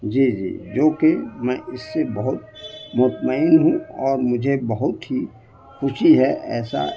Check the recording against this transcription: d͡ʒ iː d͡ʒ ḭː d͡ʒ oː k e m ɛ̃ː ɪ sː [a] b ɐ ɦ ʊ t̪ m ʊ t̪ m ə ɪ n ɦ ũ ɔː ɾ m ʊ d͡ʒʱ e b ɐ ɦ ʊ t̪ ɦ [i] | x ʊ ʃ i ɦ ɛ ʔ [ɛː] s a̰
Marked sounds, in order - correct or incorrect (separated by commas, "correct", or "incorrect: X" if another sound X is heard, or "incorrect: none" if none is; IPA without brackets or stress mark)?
incorrect: e, correct, correct